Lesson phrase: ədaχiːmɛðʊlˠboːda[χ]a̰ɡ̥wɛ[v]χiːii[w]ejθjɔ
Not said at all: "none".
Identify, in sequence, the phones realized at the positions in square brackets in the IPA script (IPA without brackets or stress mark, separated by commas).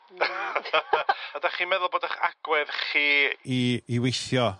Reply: χ, ð, w